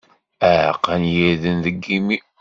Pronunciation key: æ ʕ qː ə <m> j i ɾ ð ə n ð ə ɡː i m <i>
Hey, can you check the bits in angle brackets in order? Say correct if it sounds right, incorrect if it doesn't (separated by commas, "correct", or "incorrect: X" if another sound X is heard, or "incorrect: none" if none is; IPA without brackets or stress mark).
incorrect: n, correct